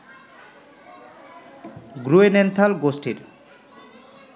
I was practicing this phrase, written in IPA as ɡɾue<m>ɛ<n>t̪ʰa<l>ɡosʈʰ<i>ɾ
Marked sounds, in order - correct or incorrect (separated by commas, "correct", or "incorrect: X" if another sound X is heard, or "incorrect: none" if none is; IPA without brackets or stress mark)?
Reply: incorrect: n, correct, correct, correct